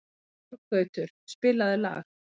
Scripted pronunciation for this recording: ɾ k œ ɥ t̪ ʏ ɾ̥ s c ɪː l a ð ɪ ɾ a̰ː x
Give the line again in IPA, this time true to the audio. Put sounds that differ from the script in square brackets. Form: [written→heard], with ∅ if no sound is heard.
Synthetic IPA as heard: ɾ k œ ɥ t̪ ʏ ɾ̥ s [c→p] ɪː l a ð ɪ [ɾ→l] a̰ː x

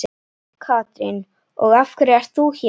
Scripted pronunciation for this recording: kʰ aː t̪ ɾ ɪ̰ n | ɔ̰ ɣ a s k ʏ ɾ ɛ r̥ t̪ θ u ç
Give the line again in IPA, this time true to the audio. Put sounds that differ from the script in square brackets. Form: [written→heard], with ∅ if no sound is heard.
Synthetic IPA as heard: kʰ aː t̪ ɾ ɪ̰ n | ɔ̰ ɣ a [s→f] k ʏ ɾ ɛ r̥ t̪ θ u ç

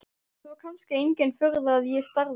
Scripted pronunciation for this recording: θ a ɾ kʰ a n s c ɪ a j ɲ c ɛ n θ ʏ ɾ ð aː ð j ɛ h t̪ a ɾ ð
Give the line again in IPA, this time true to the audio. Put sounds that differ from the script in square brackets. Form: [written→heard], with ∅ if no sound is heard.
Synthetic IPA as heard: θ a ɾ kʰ a n s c ɪ [a→e] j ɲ c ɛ n [θ→f] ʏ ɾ ð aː ð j ɛ [h→s] t̪ a ɾ ð

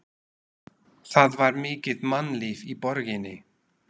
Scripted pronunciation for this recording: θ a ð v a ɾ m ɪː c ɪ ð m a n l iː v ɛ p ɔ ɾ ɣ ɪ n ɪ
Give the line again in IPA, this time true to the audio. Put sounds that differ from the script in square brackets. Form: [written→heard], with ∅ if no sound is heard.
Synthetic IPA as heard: θ a ð v a ɾ m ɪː c ɪ ð m a n l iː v [ɛ→i] p ɔ ɾ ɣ ɪ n ɪ

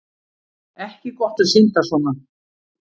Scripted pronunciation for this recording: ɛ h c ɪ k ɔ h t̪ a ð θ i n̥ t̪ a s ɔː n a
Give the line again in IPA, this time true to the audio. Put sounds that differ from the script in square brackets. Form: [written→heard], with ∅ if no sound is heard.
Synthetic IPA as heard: ɛ h c ɪ k ɔ h t̪ a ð [θ→s] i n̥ t̪ a s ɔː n a

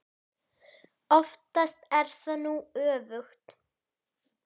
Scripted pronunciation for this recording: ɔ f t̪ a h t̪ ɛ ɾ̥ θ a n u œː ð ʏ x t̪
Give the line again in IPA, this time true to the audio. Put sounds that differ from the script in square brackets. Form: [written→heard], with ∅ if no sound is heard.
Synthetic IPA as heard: ɔ f t̪ a [h→s] t̪ ɛ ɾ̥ θ a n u œː [ð→v] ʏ x t̪

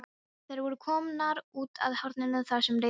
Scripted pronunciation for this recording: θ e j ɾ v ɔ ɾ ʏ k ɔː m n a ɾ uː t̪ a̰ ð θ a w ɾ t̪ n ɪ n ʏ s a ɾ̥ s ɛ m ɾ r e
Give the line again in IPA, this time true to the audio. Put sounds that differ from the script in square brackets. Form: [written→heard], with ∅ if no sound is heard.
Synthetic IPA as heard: θ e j ɾ v ɔ ɾ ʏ [k→kʰ] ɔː m n a ɾ uː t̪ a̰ ð [θ→h] a w ɾ t̪ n ɪ n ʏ [s→θ] a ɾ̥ s ɛ m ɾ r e

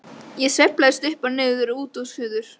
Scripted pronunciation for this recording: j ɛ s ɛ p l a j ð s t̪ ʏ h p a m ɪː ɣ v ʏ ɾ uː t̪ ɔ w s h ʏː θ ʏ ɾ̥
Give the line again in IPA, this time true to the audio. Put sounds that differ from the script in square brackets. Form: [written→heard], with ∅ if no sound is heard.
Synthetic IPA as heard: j ɛ s ɛ p l a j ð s t̪ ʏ h p a [m→n] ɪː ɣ [v→ð] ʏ ɾ uː t̪ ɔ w s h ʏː [θ→ð] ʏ ɾ̥

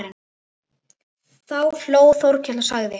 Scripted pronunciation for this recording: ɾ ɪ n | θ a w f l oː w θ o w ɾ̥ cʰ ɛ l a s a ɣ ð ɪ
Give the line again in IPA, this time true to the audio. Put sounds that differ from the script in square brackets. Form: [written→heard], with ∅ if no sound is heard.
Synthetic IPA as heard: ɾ ɪ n | θ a w f l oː w θ o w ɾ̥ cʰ ɛ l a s a ɣ ð ɪ

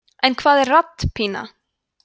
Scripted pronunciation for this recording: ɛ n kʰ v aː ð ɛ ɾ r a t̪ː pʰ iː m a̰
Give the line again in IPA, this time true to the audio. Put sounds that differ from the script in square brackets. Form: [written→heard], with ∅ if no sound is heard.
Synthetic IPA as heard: ɛ n kʰ v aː ð ɛ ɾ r a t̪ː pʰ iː [m→n] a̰

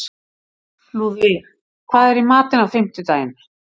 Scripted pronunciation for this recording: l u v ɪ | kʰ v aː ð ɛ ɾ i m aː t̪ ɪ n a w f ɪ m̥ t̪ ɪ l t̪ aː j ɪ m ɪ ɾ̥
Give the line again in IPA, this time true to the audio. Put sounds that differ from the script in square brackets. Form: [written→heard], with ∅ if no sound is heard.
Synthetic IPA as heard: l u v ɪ | kʰ v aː ð ɛ ɾ i m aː t̪ ɪ n a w f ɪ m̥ t̪ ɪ [l→∅] t̪ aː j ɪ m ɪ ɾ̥

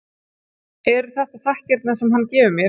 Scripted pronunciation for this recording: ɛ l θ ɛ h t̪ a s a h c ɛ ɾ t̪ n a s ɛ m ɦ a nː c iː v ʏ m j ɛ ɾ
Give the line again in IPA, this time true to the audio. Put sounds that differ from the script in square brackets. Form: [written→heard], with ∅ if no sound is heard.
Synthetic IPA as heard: ɛ [l→ɾ] θ ɛ h t̪ a [s→θ] a h c ɛ ɾ t̪ n a s ɛ m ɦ a nː c [iː→ɛː] v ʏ m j ɛ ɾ

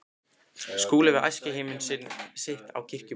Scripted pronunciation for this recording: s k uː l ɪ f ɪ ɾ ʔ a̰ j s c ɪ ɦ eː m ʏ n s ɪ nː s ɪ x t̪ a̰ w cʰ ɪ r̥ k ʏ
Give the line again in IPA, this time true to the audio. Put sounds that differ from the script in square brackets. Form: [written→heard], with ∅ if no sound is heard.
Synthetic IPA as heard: s k uː l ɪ [f→v] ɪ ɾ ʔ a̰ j s c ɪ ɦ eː m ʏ n s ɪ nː s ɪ [x→h] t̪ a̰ w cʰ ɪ r̥ [k→c] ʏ

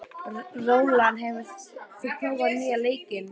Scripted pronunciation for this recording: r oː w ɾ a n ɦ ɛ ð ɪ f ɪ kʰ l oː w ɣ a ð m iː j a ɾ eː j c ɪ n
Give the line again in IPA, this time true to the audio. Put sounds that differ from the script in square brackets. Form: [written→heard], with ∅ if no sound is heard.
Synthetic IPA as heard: r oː w [ɾ→l] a n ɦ ɛ [ð→v] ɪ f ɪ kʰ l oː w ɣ a ð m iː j a [ɾ→l] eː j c ɪ n

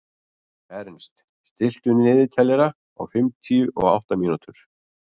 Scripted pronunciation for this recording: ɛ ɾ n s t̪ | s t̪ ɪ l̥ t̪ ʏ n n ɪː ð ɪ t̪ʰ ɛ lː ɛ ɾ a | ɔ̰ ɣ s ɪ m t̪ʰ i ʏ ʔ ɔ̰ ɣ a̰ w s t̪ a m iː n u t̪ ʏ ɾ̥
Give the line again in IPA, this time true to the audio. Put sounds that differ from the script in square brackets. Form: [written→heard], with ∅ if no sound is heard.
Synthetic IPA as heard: ɛ ɾ n s t̪ | s t̪ ɪ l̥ t̪ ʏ n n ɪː ð ɪ t̪ʰ ɛ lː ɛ ɾ a | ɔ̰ ɣ [s→f] ɪ m t̪ʰ i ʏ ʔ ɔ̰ ɣ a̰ w [s→h] t̪ a m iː n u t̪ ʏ ɾ̥

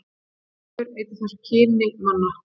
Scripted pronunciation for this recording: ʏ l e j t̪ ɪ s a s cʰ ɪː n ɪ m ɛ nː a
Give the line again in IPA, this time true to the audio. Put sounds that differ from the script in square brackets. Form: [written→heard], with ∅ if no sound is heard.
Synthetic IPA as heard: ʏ [l→ɾ] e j t̪ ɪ [s→θ] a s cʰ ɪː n ɪ m [ɛ→a] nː a

